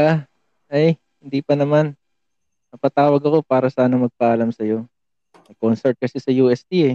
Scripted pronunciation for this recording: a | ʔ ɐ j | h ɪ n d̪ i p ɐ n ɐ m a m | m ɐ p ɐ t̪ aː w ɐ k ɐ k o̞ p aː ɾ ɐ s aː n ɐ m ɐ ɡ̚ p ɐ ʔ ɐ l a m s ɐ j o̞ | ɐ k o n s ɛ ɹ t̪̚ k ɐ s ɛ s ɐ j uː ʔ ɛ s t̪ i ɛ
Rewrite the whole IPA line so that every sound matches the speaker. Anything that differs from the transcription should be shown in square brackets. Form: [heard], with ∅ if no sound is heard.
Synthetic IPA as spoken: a | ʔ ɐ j | h ɪ n d̪ i p ɐ n ɐ m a [n] | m ɐ p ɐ t̪ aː w ɐ [ɡ] ɐ k o̞ p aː ɾ ɐ s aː n ɐ m ɐ ɡ̚ p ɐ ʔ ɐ l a m s ɐ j o̞ | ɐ k o n s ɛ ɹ t̪̚ k ɐ s ɛ s ɐ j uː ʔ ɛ s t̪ i ɛ